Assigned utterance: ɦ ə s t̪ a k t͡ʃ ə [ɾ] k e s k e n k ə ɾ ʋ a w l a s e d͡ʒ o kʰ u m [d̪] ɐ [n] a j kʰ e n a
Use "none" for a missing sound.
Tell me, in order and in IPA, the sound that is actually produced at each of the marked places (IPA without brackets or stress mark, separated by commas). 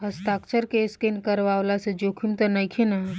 ɾ, t̪, n